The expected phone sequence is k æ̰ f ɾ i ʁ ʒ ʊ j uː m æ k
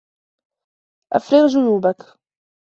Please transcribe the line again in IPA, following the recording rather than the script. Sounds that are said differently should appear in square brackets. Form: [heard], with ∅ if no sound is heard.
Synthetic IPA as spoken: [ʔ] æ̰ f ɾ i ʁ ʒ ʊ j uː [b] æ k